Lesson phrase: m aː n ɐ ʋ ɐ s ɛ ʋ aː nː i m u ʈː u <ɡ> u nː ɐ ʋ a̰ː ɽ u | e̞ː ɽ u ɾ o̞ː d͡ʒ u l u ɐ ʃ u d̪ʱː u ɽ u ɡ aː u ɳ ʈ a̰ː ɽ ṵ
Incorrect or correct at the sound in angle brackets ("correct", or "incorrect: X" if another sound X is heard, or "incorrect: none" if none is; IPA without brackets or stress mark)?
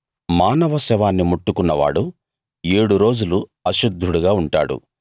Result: incorrect: k